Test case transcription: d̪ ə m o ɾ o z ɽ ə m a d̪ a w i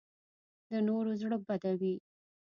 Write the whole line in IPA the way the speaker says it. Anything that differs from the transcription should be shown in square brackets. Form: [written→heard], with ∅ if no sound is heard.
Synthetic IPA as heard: d̪ ə [m→n] o ɾ o z ɽ ə [m→b] a d̪ a w i